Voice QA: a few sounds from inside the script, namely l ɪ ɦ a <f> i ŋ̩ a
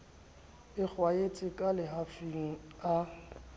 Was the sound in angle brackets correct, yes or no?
yes